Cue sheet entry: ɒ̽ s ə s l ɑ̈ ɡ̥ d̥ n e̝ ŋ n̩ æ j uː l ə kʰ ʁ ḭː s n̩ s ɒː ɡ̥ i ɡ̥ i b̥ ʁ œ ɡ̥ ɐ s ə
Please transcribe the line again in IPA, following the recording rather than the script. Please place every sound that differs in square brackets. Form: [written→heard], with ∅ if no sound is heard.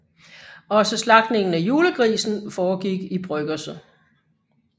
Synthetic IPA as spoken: ɒ̽ s ə s l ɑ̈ ɡ̥ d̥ n e̝ ŋ n̩ æ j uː l ə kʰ ʁ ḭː s n̩ [s→f] ɒː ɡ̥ i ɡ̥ i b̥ ʁ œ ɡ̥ ɐ s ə